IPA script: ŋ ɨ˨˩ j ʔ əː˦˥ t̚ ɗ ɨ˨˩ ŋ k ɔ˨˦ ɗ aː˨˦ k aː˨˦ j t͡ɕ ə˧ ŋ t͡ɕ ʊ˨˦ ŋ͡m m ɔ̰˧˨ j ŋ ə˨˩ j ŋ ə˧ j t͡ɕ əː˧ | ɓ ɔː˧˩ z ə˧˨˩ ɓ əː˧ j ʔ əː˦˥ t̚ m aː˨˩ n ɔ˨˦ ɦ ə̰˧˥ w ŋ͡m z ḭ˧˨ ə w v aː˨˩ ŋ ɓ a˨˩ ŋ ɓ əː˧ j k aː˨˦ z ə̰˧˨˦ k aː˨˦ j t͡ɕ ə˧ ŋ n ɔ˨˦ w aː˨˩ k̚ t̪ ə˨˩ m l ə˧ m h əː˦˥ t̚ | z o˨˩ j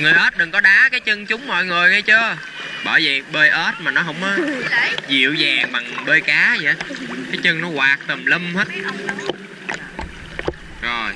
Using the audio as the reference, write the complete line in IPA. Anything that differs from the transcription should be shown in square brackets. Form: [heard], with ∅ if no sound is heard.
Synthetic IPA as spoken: ŋ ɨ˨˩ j ʔ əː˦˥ t̚ ɗ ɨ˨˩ ŋ k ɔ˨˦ ɗ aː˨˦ k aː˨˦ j t͡ɕ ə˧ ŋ t͡ɕ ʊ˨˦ ŋ͡m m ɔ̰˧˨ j ŋ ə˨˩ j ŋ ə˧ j t͡ɕ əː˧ | ɓ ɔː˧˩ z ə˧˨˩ ɓ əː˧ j ʔ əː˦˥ t̚ m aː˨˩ n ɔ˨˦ ɦ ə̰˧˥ w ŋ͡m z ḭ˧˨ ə w [z] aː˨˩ ŋ ɓ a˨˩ ŋ ɓ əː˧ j k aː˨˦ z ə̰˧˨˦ k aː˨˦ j t͡ɕ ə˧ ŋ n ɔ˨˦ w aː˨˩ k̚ t̪ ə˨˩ m l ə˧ m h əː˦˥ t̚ | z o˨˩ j